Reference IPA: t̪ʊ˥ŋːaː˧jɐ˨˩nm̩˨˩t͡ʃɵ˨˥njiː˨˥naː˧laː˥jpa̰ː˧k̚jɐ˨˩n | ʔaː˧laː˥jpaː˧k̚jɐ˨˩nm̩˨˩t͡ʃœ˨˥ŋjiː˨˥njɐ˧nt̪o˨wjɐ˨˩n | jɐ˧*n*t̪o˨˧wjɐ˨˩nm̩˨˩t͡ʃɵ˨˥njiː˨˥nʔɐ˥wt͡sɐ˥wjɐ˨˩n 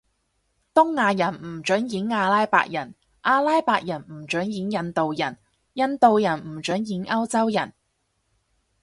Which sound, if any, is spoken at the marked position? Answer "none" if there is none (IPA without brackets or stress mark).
n